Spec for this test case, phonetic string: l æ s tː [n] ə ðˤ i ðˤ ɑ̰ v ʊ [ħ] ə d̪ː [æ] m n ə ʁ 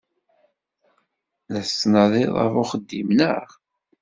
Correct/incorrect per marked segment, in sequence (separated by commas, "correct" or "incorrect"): correct, incorrect, incorrect